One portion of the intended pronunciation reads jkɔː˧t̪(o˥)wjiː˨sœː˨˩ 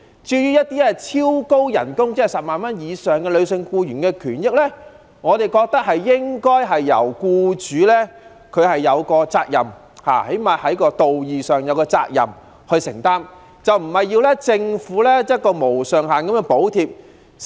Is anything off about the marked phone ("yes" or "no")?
yes